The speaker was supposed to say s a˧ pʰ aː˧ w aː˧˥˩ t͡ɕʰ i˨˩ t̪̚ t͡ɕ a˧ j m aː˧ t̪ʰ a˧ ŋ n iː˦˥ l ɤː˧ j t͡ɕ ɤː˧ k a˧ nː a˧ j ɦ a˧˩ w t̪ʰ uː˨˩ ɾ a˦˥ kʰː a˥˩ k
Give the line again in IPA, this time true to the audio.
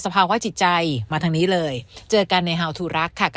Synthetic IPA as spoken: s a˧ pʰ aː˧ w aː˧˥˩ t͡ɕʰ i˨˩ t̪̚ t͡ɕ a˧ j m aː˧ t̪ʰ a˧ ŋ n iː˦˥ l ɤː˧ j t͡ɕ ɤː˧ k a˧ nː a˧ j ɦ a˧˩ w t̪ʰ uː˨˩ ɾ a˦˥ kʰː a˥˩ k